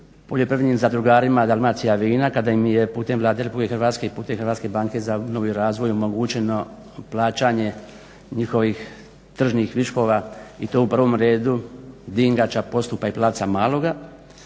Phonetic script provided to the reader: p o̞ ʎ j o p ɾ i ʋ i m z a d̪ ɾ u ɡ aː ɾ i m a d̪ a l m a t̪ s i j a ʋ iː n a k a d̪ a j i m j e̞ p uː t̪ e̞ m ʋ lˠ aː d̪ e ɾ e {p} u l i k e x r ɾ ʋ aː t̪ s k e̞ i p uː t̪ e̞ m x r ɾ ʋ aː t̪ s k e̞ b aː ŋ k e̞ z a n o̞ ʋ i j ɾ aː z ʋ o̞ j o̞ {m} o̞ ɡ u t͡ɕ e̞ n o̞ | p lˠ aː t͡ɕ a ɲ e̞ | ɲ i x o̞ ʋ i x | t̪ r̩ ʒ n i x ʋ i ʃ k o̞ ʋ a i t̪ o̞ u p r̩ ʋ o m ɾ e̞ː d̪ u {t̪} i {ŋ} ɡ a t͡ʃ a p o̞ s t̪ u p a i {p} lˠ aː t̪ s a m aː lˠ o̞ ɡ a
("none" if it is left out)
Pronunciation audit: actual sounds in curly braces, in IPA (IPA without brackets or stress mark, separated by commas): p, m, d̪, ŋ, p